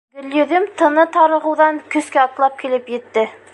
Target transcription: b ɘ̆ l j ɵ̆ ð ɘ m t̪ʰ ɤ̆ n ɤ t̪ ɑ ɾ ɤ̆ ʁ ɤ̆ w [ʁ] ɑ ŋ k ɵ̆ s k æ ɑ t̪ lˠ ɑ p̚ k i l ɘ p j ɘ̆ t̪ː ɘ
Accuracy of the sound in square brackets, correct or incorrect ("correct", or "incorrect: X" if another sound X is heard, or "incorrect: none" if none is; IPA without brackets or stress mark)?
incorrect: ð